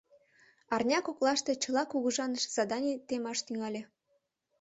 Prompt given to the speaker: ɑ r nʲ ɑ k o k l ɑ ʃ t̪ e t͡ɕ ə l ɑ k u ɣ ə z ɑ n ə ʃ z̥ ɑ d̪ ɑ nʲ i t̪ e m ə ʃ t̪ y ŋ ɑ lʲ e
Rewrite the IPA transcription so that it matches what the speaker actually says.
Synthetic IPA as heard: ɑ r nʲ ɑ k o k l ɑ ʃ t̪ e t͡ɕ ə l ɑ k u ɣ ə ʒ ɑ n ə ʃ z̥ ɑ d̪ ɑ nʲ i t̪ e m ɑ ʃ t̪ y ŋ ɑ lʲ e